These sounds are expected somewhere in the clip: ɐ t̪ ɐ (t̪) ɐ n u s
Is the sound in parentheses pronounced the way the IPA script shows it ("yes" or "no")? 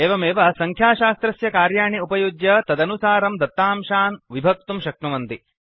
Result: no